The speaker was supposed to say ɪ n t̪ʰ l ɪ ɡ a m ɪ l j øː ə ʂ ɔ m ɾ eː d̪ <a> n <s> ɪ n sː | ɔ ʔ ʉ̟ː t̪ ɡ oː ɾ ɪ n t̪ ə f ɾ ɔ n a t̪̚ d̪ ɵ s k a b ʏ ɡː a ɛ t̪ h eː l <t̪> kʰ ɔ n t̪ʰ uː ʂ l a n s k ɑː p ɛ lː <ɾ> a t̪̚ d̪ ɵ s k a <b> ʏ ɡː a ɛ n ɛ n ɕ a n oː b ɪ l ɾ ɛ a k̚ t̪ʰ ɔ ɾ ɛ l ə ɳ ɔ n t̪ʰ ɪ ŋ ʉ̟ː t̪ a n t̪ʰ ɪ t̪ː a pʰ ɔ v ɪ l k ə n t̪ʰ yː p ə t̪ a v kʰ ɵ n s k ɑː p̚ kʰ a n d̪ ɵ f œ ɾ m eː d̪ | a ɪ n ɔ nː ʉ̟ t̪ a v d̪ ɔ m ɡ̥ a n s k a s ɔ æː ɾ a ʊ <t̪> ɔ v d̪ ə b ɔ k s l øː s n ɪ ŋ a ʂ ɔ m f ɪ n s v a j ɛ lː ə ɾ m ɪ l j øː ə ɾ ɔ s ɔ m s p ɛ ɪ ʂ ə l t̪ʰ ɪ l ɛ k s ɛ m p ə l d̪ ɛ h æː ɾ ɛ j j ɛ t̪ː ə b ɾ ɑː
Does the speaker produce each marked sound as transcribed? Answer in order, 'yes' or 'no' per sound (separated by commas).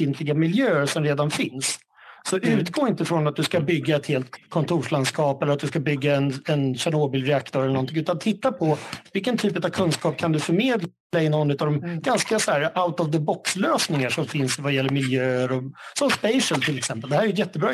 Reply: yes, no, yes, yes, yes, yes